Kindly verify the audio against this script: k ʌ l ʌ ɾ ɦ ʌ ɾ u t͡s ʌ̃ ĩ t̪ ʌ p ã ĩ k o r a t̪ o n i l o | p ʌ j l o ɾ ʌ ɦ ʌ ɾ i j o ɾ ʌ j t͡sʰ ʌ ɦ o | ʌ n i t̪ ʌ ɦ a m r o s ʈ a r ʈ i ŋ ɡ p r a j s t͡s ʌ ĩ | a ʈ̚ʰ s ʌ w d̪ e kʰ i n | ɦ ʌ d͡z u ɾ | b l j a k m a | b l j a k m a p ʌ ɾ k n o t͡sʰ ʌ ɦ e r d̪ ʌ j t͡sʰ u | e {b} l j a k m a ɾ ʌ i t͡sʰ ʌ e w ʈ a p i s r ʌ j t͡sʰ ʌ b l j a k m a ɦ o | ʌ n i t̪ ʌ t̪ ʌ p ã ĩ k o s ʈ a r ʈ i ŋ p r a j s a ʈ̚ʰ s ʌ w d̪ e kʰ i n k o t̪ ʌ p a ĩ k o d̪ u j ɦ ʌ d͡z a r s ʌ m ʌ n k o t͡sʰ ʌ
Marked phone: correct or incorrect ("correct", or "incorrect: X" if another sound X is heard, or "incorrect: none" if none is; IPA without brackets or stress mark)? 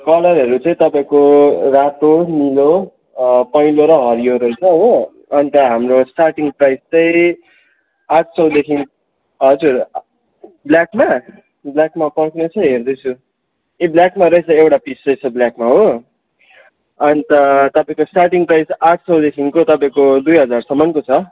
correct